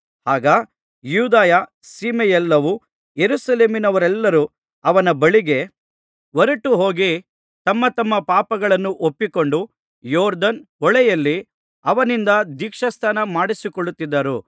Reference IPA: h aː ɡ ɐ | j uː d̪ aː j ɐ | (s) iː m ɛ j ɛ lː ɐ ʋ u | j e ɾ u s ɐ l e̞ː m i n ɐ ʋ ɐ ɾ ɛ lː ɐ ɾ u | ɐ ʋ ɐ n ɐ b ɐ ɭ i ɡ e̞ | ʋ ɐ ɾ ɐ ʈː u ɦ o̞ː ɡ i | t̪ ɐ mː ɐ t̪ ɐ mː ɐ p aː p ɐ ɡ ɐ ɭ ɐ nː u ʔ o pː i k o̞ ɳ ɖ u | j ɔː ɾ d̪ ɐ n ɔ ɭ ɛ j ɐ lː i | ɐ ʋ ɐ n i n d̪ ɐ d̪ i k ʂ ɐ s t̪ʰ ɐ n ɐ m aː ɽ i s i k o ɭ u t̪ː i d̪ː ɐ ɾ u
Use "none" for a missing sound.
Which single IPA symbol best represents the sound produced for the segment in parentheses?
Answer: s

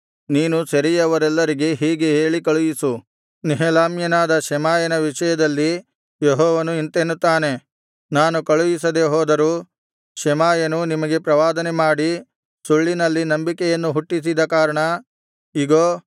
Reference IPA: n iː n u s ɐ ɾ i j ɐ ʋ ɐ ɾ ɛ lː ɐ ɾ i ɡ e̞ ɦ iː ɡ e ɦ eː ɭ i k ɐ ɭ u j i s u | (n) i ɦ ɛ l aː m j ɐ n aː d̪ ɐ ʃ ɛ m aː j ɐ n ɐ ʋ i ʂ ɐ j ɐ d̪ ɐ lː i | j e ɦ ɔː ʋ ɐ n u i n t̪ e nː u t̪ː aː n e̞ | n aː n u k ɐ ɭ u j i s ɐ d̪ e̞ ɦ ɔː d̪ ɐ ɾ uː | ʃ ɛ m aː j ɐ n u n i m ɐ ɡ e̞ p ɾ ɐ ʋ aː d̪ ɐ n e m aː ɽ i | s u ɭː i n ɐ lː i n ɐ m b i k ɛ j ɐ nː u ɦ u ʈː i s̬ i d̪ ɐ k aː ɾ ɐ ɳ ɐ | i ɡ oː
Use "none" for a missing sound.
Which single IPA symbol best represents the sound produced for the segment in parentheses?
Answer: n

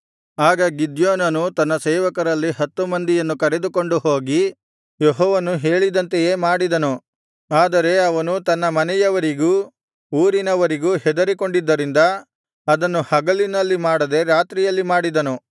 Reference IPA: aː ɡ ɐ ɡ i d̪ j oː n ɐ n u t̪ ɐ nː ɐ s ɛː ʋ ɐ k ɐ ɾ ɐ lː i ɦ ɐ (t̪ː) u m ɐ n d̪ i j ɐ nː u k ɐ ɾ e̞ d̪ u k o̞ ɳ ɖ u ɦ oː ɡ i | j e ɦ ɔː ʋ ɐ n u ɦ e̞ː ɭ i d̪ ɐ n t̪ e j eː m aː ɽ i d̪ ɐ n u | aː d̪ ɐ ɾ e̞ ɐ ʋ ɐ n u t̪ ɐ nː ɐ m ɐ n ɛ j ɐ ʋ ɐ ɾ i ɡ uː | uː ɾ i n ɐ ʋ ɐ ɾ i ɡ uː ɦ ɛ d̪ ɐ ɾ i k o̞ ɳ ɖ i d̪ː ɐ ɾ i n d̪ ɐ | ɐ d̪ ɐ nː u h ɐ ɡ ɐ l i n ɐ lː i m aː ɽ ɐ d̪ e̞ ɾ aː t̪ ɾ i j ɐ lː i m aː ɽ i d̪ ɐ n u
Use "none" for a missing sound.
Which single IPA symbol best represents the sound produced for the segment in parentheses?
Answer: t̪ː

